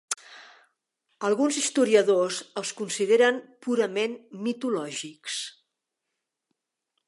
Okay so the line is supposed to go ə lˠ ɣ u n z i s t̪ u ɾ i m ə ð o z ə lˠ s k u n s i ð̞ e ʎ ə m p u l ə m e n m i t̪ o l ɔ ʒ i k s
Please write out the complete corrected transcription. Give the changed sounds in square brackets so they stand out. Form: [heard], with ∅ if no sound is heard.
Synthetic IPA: ə lˠ ɣ u n z i s t̪ u ɾ i [∅] ə ð o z ə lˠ s k u n s i ð̞ e [ɾ] ə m p u [ɾ] ə m e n m i t̪ [u] l ɔ ʒ i k s